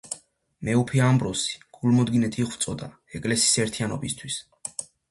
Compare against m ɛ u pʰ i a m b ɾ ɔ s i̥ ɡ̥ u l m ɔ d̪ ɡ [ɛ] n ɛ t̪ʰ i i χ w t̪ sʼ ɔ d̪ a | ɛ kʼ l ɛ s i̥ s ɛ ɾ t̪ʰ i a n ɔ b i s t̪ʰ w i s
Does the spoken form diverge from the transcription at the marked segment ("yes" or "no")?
yes